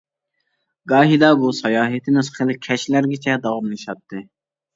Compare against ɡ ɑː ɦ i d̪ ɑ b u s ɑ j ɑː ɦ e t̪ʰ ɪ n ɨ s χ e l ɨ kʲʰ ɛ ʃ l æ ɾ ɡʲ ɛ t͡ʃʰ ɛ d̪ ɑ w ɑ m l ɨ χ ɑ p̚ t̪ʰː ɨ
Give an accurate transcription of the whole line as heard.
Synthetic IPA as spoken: ɡ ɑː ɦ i d̪ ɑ b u s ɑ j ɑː ɦ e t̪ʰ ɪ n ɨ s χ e l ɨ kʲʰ ɛ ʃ l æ ɾ ɡʲ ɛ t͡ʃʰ ɛ d̪ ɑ w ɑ m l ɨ ʃ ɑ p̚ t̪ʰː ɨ